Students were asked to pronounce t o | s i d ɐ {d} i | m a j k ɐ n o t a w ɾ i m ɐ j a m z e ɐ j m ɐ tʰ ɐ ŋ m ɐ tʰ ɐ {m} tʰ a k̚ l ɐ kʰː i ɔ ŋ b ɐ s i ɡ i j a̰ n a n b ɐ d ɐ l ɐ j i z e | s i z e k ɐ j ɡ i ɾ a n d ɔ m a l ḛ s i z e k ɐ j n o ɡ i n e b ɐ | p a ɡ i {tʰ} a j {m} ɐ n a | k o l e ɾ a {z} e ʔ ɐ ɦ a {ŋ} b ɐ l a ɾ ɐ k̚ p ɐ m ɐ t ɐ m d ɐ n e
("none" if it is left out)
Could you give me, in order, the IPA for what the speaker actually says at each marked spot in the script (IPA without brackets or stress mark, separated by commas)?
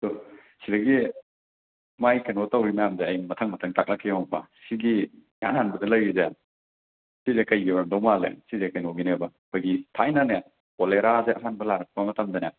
ɡ, ŋ, tʰ, n, z, n